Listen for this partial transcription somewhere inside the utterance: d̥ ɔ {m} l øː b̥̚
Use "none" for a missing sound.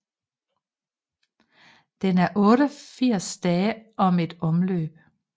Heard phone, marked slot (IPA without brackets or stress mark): m